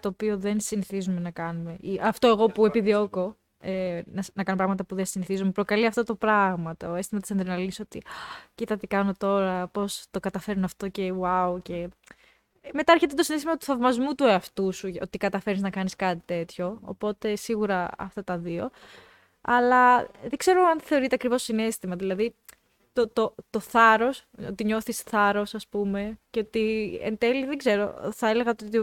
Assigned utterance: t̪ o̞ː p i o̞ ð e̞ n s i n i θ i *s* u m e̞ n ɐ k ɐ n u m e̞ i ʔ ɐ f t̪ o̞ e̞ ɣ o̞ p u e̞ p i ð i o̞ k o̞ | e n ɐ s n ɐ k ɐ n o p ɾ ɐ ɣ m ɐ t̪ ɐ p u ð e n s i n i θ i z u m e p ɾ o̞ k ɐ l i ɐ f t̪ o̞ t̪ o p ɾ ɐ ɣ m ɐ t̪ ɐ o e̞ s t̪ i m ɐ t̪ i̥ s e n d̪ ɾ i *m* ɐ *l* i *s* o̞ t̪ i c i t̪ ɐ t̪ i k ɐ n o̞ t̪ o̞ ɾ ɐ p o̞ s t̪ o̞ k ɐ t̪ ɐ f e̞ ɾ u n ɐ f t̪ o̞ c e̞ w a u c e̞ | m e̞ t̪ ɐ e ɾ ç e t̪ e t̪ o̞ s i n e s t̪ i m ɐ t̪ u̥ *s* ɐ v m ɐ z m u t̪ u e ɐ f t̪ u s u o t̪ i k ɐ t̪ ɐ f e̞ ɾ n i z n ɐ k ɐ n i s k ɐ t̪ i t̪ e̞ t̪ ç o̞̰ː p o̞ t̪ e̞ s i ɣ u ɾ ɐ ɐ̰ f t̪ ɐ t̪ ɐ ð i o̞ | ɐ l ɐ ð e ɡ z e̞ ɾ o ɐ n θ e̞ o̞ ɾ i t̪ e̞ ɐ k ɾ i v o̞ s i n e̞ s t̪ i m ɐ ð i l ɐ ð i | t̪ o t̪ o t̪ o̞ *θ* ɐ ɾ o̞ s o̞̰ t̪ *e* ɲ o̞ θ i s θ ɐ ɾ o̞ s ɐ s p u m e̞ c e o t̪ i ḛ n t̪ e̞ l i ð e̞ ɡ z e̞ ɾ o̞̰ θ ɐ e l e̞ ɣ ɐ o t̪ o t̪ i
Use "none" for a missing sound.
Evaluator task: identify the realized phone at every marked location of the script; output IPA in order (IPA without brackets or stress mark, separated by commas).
z, n, l, s, θ, θ, i